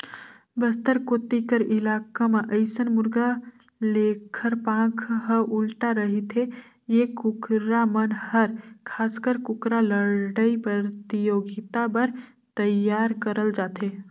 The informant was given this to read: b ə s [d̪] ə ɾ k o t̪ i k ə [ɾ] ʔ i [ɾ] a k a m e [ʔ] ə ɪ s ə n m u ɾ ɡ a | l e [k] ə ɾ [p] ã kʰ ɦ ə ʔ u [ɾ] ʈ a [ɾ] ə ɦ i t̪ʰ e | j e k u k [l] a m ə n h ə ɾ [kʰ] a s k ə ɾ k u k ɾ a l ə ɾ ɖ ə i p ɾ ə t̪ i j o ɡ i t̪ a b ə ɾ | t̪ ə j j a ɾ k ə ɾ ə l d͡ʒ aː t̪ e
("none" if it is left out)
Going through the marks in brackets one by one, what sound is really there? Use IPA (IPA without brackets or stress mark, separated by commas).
t̪, ɾ, l, ʔ, kʰ, p, l, ɾ, ɾ, kʰ